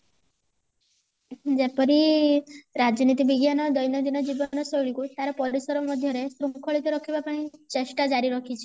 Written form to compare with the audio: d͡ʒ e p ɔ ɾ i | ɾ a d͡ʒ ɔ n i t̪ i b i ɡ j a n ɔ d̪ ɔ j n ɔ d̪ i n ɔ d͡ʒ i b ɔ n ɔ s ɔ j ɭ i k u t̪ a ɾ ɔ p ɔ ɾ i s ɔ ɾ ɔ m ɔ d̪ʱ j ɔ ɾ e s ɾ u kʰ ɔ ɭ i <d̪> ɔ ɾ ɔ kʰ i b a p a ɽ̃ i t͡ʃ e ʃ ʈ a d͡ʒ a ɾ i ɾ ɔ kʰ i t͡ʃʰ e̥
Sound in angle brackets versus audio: incorrect: t̪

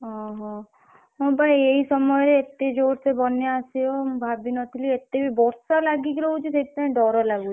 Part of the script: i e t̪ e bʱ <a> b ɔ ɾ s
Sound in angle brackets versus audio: incorrect: i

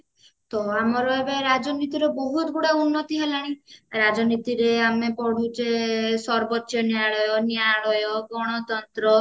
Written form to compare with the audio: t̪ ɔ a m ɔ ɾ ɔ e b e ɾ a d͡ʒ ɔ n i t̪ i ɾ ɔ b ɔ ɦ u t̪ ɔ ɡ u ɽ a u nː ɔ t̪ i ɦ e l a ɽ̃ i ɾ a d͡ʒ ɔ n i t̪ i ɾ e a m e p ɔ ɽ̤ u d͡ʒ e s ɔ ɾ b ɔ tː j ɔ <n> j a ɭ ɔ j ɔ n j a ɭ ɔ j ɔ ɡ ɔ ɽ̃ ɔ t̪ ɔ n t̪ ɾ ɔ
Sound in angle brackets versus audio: correct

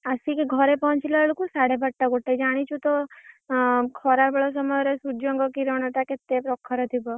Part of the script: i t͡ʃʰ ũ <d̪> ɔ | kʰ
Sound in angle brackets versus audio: incorrect: t̪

